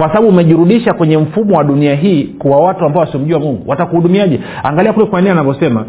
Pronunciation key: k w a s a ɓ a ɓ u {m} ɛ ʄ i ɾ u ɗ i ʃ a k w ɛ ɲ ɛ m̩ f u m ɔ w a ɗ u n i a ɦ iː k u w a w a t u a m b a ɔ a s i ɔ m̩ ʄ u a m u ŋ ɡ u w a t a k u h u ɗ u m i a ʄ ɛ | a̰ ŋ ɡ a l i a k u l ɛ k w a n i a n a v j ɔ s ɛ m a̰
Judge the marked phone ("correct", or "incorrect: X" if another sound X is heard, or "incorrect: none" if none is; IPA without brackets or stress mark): correct